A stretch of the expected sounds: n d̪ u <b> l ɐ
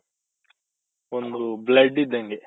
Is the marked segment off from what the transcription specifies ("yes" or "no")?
no